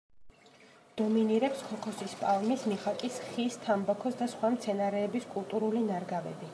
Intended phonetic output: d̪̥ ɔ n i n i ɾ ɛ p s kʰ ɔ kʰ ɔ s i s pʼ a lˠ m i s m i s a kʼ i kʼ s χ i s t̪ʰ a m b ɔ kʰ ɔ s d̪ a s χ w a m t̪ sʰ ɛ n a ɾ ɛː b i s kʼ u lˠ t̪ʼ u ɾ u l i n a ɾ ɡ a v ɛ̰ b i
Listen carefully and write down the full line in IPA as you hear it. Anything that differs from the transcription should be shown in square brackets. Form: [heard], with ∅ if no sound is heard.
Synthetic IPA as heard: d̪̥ ɔ [m] i n i ɾ ɛ p s kʰ ɔ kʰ ɔ s i s pʼ a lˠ m i s m i [χ] a kʼ i [∅] s χ i s t̪ʰ a m b ɔ kʰ ɔ s d̪ a s χ w a m t̪ sʰ ɛ n a ɾ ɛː b i s kʼ u lˠ t̪ʼ u ɾ u l i n a ɾ ɡ a v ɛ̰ b i